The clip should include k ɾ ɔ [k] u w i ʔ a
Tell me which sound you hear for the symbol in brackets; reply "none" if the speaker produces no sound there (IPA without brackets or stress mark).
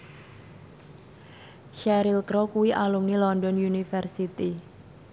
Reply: k